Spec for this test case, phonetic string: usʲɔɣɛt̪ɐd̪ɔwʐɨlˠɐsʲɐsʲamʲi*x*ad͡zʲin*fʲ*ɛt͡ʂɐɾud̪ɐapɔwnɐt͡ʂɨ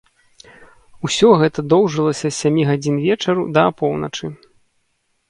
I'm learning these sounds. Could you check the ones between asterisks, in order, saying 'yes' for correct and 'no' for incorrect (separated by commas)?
no, no